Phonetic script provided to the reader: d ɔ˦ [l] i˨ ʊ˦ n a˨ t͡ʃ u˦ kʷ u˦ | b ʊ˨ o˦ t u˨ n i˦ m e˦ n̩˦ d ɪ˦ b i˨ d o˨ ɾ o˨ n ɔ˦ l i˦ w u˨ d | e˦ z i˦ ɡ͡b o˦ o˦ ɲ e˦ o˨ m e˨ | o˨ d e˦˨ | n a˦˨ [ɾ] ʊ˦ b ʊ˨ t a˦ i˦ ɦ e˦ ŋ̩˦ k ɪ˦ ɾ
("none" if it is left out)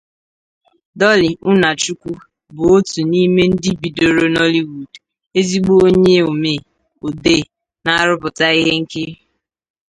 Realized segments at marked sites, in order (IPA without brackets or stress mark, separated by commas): l, ɾ